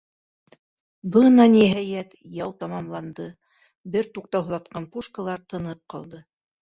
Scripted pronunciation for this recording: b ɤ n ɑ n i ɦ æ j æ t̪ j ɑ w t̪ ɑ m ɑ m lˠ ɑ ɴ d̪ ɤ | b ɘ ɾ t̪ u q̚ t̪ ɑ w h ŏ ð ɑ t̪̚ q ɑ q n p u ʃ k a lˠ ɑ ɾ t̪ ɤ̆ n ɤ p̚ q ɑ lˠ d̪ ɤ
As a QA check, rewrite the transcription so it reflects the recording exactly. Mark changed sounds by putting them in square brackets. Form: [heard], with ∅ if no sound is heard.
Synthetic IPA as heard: b ɤ n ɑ n i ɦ æ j æ t̪ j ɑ w t̪ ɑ m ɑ m lˠ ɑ [n] d̪ ɤ | b ɘ ɾ t̪ u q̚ t̪ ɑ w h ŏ ð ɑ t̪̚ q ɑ [∅] n p u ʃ k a lˠ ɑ ɾ t̪ ɤ̆ n ɤ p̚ q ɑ lˠ d̪ ɤ